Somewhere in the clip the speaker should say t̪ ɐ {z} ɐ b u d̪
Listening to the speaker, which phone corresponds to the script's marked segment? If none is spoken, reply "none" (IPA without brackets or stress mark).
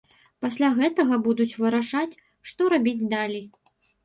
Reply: ɣ